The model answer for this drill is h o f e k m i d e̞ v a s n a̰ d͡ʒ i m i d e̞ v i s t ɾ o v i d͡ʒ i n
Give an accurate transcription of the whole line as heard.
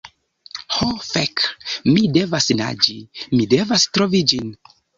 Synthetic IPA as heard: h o f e k m i d e̞ v a s n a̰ d͡ʒ i m i d e̞ v a s t ɾ o v i d͡ʒ i n